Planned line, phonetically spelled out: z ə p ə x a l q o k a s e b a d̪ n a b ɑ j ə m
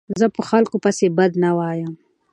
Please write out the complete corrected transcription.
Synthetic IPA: z ə p ə x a l k o p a s e b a d̪ n a w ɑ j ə m